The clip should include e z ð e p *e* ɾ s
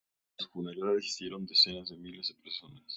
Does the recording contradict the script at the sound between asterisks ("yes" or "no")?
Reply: no